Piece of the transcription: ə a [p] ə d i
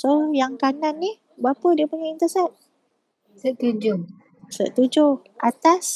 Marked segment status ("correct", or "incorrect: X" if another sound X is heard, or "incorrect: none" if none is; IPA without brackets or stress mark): correct